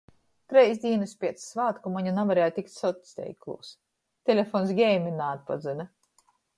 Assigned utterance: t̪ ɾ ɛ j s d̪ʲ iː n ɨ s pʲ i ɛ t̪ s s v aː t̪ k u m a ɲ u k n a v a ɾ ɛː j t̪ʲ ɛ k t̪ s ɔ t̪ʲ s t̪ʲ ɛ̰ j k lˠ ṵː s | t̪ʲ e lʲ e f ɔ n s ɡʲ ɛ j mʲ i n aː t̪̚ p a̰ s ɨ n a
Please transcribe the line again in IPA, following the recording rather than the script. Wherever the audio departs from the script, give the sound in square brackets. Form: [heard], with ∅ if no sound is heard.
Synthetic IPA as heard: t̪ ɾ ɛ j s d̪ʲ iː n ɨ s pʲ i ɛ t̪ s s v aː t̪ k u m a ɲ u [∅] n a v a ɾ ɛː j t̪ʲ [i] k t̪ s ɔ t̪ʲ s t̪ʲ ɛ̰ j k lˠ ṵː s | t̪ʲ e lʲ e f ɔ n s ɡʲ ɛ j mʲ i n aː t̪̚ p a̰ [z] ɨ n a